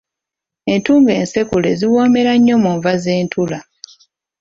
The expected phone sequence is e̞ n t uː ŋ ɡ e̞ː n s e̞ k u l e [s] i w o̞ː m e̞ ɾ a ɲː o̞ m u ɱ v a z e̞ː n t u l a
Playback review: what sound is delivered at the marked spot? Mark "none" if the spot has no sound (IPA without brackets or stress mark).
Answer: z